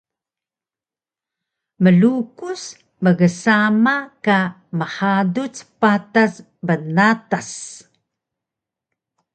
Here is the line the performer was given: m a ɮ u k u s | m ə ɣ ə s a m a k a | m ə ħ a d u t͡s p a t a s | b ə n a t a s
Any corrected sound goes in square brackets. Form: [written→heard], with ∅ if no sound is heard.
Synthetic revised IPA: m [a→ə] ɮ u k u s | m ə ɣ ə s a m a k a | m ə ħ a d u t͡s p a t a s | b ə n a t a s